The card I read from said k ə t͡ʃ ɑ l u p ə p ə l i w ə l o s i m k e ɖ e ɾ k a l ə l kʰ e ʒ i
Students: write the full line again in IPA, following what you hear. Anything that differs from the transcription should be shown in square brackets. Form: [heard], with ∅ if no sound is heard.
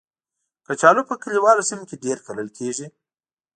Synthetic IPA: k ə t͡ʃ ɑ l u p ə [k] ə l i w [ɑ] l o s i m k e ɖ e ɾ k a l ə l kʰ e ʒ i